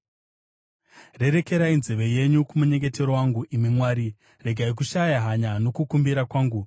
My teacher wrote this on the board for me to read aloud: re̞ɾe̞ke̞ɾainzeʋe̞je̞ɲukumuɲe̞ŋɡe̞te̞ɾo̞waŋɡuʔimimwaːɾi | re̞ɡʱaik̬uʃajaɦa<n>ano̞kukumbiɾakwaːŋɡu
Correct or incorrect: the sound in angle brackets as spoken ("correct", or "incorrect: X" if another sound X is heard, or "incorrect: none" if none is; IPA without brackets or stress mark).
incorrect: ɲ